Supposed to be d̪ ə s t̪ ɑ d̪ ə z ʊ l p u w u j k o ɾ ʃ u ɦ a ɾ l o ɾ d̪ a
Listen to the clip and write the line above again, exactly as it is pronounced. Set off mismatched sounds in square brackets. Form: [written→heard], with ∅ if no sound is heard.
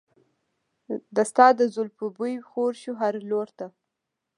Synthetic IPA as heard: d̪ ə s t̪ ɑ d̪ ə z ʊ l p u [w→b] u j [k→x] o ɾ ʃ u ɦ a ɾ l o ɾ [d̪→t̪] a